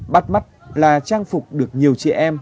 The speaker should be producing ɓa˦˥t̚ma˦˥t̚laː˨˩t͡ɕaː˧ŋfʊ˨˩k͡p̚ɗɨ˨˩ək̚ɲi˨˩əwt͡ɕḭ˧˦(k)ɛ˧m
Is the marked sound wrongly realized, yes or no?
yes